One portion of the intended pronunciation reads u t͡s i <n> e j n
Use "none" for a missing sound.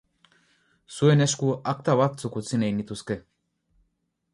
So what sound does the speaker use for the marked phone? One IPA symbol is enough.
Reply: n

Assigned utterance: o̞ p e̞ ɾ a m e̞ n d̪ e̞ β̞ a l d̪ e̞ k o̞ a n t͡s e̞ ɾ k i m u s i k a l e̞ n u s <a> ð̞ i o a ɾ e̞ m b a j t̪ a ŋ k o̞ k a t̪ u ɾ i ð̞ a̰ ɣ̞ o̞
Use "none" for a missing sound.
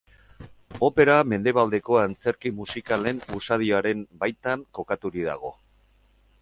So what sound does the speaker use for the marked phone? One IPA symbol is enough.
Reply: a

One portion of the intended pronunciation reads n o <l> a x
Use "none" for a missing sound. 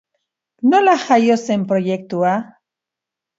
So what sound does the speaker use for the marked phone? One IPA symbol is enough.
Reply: l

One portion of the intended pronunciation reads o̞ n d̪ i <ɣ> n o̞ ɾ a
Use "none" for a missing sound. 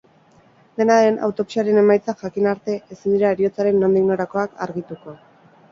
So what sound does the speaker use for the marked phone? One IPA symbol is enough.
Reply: ɣ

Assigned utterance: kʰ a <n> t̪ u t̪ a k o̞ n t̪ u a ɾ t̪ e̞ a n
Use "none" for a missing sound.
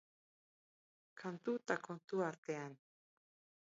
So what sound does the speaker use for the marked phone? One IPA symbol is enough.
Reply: n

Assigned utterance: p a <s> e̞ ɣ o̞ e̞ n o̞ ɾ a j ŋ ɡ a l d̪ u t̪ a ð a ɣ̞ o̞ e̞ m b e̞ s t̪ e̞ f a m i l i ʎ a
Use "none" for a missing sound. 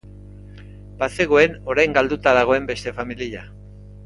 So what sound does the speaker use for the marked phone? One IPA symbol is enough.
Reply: s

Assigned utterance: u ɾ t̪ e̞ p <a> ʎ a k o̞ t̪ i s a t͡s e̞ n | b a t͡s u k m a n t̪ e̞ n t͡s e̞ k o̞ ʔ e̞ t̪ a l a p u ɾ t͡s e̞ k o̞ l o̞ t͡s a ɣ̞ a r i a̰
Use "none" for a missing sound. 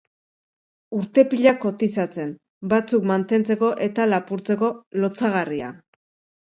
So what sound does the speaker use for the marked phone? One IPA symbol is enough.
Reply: i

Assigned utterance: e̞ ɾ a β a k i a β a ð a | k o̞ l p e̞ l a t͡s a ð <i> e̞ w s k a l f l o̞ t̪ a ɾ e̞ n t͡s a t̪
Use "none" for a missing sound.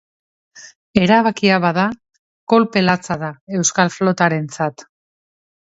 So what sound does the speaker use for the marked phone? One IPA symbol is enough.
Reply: a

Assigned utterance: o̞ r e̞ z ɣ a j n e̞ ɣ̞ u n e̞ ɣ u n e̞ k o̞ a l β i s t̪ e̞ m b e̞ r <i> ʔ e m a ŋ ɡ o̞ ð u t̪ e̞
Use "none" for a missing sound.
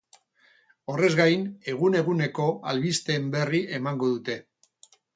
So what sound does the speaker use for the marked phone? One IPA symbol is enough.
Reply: i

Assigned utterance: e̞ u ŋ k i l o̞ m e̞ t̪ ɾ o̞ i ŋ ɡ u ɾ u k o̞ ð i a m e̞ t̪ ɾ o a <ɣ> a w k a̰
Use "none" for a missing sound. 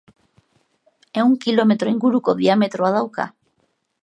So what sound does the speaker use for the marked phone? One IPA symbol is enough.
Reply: ð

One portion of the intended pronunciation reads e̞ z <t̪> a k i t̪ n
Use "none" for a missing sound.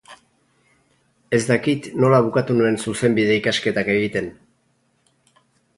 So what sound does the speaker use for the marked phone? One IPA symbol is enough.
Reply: d̪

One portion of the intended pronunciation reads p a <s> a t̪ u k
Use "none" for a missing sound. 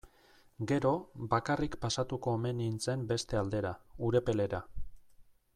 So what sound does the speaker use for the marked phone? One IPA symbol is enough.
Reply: s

